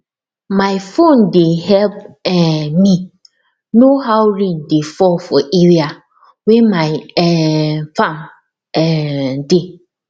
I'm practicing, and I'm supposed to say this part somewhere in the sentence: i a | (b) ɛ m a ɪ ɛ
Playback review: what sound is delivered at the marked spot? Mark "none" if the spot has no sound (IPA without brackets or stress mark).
w